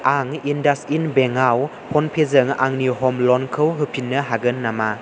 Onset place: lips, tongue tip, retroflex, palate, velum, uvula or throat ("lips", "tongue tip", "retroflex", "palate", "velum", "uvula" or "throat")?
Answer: velum